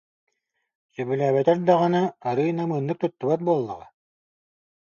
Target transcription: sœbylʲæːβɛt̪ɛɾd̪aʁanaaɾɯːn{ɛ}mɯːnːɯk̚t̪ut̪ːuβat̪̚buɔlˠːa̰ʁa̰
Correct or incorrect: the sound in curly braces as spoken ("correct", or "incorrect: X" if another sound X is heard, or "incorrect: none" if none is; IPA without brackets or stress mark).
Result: incorrect: a